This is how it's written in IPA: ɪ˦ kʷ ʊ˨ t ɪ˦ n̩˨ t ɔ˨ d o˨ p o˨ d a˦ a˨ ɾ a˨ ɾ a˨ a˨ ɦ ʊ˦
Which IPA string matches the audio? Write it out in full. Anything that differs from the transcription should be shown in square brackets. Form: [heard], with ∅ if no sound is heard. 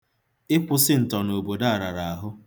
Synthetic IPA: ɪ˦ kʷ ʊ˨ [s] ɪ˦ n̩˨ t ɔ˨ [n] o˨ [b] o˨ d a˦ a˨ ɾ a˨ ɾ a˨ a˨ ɦ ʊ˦